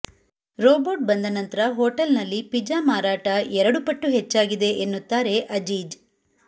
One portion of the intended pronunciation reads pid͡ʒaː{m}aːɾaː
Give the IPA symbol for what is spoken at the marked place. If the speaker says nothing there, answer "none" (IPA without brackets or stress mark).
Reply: m